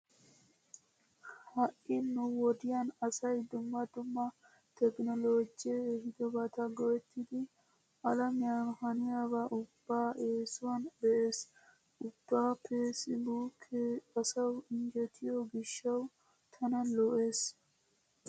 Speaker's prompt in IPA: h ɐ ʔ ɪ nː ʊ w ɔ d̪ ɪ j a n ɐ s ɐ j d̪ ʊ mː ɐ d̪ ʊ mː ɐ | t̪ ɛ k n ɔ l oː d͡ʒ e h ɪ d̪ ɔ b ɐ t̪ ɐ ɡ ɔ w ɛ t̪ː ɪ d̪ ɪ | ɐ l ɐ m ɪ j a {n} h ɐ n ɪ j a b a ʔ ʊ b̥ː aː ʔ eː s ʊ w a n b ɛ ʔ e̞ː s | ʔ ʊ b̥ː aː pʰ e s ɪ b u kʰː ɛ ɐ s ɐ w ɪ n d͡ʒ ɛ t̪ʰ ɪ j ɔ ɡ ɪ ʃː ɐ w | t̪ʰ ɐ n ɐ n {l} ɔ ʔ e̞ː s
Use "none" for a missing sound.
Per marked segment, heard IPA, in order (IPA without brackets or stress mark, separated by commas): n, l